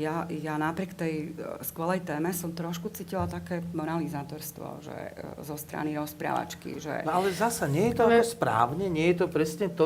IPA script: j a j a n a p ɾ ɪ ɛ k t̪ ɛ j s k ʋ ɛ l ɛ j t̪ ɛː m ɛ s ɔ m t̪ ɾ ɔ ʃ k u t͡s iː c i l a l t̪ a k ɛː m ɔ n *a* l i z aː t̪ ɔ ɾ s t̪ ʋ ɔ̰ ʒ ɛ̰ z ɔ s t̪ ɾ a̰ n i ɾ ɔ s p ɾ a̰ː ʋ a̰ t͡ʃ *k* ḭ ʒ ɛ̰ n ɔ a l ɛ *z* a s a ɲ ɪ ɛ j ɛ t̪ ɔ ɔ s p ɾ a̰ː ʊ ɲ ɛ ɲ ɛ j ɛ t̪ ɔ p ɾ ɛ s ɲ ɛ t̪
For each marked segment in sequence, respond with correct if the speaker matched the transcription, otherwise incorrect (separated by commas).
correct, correct, correct